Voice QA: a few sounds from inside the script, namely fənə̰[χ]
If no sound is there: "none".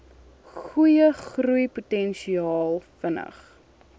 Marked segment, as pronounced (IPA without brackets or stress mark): χ